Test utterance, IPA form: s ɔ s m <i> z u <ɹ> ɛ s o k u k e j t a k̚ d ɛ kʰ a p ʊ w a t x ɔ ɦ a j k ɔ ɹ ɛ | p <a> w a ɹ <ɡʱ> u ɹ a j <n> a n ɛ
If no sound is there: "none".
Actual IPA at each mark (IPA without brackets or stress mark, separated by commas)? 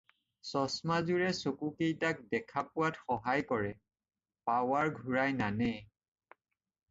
a, ɹ, a, ɡʱ, n